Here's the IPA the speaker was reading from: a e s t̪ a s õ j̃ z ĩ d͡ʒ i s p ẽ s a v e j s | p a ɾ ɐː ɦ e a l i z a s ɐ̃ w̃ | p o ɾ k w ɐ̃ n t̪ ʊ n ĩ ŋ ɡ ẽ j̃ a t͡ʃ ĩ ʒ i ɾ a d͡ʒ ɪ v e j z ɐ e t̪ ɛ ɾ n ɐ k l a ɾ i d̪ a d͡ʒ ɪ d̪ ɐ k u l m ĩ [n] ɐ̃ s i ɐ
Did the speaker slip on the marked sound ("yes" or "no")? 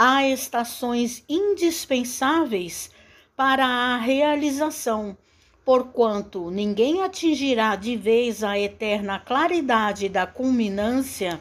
no